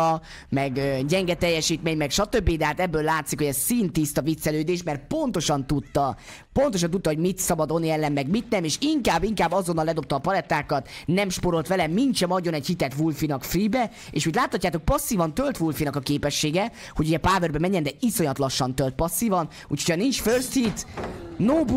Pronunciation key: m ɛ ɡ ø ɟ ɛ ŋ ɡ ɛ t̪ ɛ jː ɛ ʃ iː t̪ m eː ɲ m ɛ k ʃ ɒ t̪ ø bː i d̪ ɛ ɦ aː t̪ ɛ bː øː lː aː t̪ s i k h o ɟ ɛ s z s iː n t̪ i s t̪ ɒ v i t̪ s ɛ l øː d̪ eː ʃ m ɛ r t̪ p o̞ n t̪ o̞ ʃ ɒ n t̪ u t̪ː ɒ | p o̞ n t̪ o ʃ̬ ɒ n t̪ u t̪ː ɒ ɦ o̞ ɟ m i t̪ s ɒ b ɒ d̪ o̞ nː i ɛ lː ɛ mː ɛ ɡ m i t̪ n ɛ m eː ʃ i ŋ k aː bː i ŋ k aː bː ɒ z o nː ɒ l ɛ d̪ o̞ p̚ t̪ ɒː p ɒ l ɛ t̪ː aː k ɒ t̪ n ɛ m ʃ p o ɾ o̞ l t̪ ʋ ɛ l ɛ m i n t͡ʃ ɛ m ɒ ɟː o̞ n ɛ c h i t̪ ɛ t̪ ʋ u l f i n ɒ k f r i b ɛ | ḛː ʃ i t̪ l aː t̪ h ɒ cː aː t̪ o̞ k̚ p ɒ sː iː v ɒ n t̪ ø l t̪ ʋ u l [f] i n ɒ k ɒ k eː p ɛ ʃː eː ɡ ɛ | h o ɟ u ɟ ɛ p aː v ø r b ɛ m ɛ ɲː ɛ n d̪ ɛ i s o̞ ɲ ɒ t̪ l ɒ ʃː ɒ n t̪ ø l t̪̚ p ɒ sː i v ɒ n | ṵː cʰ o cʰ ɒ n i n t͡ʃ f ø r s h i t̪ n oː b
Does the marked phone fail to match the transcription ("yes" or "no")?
no